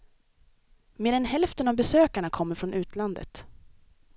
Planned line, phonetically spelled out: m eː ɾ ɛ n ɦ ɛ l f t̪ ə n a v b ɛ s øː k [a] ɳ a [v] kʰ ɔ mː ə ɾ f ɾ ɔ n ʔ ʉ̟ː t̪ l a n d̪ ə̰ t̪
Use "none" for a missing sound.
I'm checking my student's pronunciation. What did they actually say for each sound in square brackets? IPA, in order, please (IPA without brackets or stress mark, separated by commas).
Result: a, none